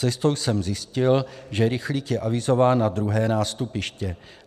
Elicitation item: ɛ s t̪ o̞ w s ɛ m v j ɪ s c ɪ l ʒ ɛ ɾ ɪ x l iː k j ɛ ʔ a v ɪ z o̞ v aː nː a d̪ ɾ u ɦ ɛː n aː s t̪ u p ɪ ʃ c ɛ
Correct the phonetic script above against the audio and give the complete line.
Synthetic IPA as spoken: ɛ s t̪ o̞ w s ɛ m z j ɪ s c ɪ l ʒ ɛ ɾ ɪ x l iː k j ɛ ʔ a v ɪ z o̞ v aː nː a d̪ ɾ u ɦ ɛː n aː s t̪ u p ɪ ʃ c ɛ